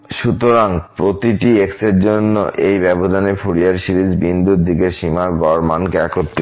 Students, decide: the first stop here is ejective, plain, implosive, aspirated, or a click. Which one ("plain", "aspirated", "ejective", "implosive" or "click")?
plain